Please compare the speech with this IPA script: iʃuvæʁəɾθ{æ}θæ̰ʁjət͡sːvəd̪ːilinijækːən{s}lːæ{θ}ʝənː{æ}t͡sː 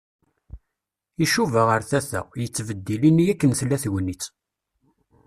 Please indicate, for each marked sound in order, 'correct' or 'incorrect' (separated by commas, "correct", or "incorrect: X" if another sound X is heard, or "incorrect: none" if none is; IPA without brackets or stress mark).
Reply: correct, incorrect: θ, correct, incorrect: i